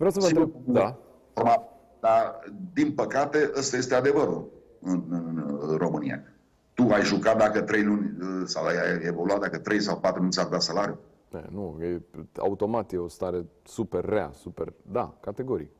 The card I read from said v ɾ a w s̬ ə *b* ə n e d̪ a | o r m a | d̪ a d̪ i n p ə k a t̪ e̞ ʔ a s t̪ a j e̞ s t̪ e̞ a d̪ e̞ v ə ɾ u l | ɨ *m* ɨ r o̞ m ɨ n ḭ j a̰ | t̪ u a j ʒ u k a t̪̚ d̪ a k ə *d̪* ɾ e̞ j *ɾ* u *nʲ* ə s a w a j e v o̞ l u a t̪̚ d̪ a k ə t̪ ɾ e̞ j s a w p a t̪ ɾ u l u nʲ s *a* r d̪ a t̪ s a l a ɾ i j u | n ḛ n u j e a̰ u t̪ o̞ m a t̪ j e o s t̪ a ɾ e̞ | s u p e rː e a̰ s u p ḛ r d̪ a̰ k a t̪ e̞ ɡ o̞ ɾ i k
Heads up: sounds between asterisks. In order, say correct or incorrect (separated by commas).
incorrect, incorrect, incorrect, incorrect, correct, correct